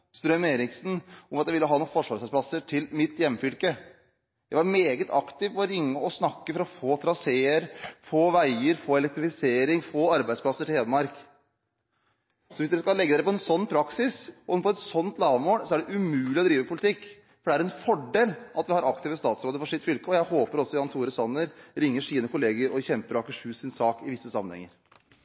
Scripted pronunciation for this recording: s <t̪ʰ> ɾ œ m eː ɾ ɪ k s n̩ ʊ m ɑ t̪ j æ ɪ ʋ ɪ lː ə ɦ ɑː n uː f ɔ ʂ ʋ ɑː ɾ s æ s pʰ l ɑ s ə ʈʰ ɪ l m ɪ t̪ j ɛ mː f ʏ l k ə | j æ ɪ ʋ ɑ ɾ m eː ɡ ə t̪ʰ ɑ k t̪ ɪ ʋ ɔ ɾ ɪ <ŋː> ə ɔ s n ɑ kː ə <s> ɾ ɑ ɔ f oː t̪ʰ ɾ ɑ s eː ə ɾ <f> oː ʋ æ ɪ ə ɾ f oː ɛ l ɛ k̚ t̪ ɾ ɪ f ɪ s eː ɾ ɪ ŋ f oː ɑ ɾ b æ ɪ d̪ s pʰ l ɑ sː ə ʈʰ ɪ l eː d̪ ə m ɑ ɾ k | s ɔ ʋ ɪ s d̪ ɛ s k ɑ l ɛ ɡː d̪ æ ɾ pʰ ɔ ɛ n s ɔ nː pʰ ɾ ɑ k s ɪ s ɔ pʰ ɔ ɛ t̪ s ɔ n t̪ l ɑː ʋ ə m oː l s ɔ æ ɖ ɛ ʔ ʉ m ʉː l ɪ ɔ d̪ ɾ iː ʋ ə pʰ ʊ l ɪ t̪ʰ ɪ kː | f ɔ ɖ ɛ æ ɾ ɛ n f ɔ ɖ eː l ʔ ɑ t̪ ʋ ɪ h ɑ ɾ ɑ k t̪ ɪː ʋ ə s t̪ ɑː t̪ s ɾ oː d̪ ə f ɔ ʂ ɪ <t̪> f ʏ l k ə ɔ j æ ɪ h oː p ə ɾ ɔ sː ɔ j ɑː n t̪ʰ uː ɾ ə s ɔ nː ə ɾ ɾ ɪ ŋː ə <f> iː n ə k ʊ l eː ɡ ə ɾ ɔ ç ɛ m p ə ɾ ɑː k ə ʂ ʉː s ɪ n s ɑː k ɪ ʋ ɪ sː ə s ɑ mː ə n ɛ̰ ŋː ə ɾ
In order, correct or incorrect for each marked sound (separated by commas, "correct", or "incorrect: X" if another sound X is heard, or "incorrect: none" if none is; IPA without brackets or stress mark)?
incorrect: t̪, correct, incorrect: f, correct, correct, incorrect: ʂ